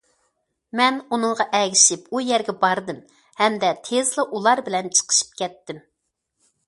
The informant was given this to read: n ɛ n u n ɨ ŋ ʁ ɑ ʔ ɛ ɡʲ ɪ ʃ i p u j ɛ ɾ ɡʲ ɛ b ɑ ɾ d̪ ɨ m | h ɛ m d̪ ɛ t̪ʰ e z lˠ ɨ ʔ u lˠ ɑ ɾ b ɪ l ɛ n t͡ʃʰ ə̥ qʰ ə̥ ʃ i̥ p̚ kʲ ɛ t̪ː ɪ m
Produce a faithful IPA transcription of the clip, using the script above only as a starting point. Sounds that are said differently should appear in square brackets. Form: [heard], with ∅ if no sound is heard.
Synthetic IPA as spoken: [m] ɛ n u n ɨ ŋ ʁ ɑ ʔ ɛ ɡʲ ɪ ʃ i p u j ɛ ɾ ɡʲ ɛ b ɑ ɾ d̪ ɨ m | h ɛ m d̪ ɛ t̪ʰ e z lˠ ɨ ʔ u lˠ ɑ ɾ b ɪ l ɛ n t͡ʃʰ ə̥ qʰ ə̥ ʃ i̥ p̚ kʲ ɛ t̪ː ɪ m